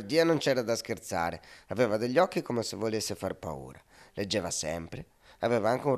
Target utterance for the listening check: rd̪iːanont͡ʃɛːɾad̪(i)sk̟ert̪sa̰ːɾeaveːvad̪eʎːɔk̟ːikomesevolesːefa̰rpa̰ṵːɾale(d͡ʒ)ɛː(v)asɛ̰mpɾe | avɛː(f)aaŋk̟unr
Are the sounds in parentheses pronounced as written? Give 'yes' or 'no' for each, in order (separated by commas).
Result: no, no, yes, no